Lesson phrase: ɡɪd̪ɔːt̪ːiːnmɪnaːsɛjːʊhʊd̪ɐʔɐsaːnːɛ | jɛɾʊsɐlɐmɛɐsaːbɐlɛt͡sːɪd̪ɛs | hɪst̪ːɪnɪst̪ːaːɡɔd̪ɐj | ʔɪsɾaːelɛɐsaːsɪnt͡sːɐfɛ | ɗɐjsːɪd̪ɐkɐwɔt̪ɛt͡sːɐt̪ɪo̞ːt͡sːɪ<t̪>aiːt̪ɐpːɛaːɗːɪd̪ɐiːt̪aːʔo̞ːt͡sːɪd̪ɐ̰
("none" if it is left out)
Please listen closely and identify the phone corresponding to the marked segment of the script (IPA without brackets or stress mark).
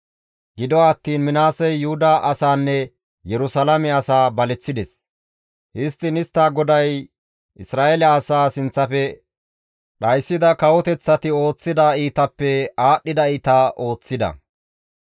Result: d̪